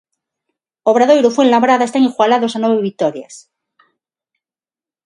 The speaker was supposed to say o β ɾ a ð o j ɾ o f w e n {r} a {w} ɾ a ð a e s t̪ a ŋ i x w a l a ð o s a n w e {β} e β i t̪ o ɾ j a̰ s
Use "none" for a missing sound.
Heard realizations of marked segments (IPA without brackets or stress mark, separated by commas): l, β, β